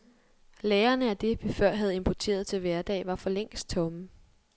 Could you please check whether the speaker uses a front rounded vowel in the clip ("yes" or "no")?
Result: yes